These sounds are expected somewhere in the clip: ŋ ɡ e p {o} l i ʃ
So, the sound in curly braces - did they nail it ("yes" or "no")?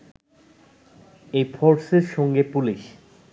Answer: no